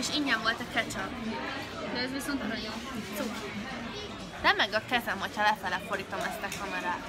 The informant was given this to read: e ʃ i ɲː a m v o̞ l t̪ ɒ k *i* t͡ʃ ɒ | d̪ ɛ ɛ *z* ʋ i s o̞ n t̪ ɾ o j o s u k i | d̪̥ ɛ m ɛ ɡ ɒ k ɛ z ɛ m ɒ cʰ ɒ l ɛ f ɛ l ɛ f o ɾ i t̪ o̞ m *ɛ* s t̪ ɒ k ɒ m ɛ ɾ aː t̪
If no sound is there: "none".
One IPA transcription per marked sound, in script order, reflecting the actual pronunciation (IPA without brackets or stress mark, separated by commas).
ɛ, z, ɛ